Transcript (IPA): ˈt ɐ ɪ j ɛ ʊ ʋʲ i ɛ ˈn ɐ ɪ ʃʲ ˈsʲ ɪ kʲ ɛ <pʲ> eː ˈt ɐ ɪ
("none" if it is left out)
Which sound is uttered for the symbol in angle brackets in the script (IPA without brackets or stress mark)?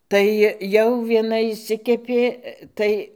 pʲ